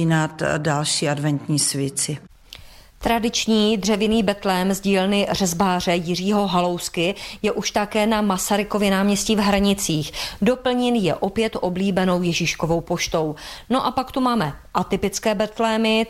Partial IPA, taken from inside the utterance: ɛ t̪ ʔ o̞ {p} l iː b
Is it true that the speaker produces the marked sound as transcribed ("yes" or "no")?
no